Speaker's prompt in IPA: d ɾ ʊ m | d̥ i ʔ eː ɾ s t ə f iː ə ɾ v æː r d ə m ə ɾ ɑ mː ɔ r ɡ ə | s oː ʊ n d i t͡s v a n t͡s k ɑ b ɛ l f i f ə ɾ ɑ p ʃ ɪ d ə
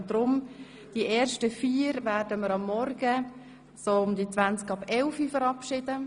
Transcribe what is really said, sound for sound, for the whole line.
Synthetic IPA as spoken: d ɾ ʊ m | d̥ i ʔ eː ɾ ʃ t ə f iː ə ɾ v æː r d ə m ə ɾ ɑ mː ɔ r ɡ ə | s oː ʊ m d i t͡s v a n t͡s k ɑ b ɛ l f i f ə ɾ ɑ p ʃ ɪ d ə